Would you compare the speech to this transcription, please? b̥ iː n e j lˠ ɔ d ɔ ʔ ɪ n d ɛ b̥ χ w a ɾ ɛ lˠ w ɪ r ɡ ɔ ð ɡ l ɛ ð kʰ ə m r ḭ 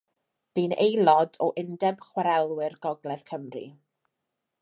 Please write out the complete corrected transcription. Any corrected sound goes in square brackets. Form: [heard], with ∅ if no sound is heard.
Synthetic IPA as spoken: b̥ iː n e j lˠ ɔ d ɔ ʔ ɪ n d ɛ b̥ χ w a ɾ ɛ lˠ w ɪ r ɡ ɔ [∅] ɡ l ɛ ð kʰ ə m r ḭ

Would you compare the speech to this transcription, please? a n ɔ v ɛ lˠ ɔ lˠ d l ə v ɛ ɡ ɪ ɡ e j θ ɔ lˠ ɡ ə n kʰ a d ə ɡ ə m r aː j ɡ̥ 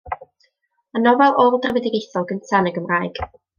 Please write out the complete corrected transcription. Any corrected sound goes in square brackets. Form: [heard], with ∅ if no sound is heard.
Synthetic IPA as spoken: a n ɔ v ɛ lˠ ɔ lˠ d [r] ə v ɛ [d] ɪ ɡ e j θ ɔ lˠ ɡ ə n [tʰ] a [n] ə ɡ ə m r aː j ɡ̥

